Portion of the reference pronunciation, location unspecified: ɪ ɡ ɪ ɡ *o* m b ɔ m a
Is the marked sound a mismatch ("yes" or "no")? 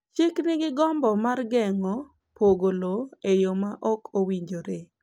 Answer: yes